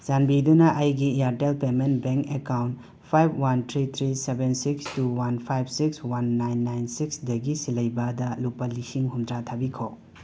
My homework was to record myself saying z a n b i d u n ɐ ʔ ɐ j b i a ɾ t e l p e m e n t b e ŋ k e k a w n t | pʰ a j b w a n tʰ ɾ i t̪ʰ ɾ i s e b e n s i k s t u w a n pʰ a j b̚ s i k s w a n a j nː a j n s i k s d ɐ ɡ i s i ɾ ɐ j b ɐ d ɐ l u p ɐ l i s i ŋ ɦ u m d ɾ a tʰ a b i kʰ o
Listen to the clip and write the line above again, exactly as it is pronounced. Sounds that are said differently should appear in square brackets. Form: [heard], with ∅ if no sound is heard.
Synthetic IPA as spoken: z a n b i d u n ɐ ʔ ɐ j [ɡ] i a ɾ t e l p e m e n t b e ŋ k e k a w n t | pʰ a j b w a n tʰ ɾ i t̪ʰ ɾ i s e b e n s i k s t u w a n pʰ a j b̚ s i k s w a [nː] a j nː a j n s i k s d ɐ ɡ i s i [l] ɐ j b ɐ d ɐ l u p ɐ l i s i ŋ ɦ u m d ɾ a tʰ a b i kʰ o